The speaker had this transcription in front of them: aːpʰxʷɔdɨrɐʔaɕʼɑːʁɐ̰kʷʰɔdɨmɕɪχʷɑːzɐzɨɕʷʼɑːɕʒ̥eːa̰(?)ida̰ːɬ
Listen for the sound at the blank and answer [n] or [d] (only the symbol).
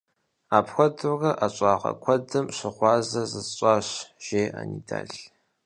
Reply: n